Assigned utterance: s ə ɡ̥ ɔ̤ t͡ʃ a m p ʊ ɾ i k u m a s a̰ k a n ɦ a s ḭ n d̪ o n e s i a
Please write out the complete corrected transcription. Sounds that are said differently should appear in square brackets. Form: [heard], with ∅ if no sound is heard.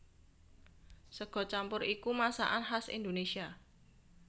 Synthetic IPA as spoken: s ə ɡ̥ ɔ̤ t͡ʃ a m p ʊ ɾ i k u m a s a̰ [ʔ] a n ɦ a s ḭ n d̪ o n e s i a